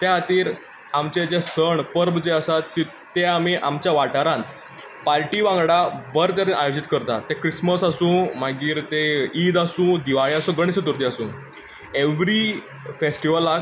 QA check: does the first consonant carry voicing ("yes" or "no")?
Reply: no